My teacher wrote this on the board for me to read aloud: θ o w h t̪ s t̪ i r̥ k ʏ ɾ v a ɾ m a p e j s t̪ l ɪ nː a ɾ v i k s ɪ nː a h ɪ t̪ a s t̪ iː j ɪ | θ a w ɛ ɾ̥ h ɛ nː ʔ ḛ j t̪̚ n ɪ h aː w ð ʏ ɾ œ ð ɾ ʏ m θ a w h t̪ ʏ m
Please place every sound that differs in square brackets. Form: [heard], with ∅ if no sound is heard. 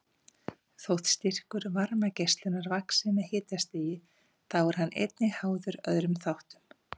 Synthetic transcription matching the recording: θ o w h t̪ s t̪ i r̥ k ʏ ɾ v a ɾ m a [c] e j s t̪ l ɪ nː a ɾ v [a] k s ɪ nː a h [ɪː] t̪ a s t̪ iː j ɪ | θ a w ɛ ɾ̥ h [a] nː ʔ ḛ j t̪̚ n ɪ h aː w ð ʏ ɾ œ ð ɾ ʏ m θ a w h t̪ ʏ m